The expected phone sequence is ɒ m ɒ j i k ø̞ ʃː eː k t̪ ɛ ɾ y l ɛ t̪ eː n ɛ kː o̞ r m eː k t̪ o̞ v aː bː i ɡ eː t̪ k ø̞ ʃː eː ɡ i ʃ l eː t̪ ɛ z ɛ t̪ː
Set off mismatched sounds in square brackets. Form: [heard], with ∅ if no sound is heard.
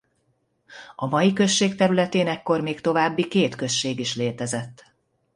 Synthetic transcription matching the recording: ɒ m ɒ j i k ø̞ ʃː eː k t̪ ɛ ɾ y l ɛ t̪ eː n ɛ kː o̞ r m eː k t̪ o̞ v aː bː i [k] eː t̪ k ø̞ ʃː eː ɡ i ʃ l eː t̪ ɛ z ɛ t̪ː